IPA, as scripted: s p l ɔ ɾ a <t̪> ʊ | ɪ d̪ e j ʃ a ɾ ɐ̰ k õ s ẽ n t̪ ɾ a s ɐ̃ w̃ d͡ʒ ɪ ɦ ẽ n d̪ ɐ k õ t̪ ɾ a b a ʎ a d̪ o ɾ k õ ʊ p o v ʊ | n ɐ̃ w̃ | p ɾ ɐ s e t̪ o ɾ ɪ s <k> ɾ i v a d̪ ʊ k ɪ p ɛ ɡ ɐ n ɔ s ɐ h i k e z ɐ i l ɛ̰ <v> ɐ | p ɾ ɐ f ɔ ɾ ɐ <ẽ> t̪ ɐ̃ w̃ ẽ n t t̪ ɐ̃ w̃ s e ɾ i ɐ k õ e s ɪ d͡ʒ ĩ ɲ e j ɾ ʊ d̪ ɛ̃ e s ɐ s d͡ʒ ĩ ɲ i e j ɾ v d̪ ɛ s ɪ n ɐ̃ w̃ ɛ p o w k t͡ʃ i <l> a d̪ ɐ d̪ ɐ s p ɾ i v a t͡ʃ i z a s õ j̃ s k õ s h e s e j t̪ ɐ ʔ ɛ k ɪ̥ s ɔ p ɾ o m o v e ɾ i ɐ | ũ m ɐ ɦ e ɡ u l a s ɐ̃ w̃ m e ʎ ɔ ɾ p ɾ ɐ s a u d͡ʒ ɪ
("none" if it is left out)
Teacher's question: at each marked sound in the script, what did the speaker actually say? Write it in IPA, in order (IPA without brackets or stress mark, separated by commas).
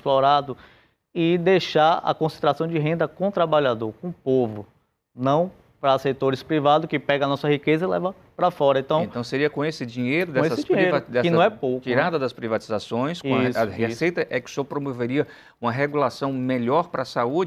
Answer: d̪, p, v, ẽ, ɾ